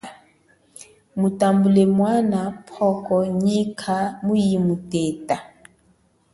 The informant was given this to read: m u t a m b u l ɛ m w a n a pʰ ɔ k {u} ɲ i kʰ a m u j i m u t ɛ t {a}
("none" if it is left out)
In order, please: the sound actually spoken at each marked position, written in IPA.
ɔ, a

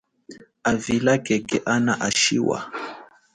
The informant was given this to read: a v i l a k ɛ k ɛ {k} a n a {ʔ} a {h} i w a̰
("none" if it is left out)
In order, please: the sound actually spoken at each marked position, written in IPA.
ʔ, ʔ, ʃ

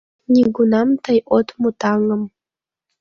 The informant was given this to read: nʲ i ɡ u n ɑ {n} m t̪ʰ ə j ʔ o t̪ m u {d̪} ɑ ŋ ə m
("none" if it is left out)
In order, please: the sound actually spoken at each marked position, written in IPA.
none, t̪

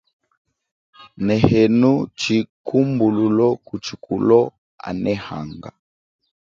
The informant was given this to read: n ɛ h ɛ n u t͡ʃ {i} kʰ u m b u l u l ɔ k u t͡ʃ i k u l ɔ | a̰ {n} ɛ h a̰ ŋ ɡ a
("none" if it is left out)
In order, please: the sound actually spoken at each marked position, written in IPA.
i, n

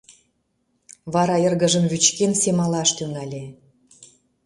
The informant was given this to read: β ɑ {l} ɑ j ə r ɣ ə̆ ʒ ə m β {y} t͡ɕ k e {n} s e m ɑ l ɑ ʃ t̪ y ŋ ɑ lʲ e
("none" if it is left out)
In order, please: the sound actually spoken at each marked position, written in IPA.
ɾ, y, n

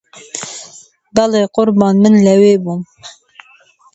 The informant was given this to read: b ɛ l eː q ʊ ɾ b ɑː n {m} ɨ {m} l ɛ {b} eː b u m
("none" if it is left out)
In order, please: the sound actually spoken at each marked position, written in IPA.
m, n, w

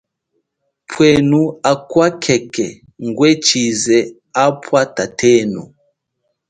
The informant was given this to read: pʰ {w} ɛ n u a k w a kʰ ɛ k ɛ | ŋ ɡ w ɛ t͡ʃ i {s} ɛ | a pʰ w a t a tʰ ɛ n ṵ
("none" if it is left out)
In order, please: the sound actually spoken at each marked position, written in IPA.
w, z

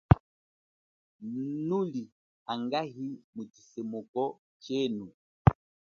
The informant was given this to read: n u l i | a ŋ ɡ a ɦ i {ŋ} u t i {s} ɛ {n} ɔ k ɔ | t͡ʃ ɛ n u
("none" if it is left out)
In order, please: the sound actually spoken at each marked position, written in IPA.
m, s, m

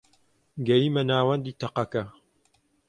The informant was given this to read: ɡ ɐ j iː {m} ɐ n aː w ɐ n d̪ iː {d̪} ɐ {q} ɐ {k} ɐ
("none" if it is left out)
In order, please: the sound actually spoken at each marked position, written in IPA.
m, t̪, q, k

